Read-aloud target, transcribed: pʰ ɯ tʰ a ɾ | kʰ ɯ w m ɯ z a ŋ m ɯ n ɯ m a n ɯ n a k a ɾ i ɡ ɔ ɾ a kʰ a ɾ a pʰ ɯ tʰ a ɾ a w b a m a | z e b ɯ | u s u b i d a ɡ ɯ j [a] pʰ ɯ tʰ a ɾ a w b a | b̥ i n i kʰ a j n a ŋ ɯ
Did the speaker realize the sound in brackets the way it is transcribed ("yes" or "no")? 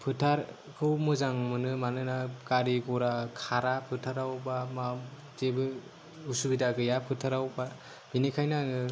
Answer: yes